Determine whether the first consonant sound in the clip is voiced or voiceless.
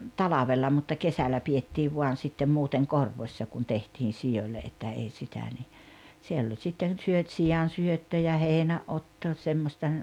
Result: voiceless